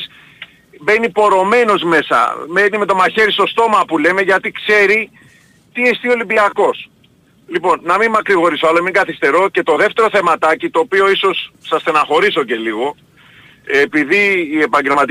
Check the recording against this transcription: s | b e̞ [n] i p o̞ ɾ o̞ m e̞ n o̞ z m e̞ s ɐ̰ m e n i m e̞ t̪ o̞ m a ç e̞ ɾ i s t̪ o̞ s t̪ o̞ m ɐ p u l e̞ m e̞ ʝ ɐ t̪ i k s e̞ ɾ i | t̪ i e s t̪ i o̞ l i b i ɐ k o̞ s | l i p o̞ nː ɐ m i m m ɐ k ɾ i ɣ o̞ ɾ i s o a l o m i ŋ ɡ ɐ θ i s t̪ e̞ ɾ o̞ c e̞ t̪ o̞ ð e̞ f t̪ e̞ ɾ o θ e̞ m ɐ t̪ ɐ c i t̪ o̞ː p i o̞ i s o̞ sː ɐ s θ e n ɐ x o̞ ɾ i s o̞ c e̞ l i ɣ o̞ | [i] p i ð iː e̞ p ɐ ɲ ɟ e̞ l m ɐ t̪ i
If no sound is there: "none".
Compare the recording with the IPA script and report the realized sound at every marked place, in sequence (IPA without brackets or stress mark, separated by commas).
n, e